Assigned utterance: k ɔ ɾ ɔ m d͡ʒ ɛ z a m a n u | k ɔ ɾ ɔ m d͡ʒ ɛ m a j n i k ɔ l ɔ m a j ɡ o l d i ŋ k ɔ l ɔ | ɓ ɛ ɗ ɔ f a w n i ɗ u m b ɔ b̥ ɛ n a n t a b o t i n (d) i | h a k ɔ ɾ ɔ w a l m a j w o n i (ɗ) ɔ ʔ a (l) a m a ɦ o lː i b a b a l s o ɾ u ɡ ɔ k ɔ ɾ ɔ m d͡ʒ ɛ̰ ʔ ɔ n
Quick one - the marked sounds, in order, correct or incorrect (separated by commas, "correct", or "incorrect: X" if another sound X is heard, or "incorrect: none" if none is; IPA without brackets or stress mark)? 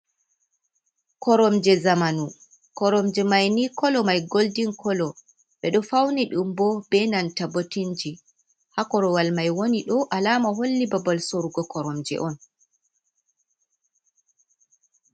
incorrect: d͡ʒ, correct, correct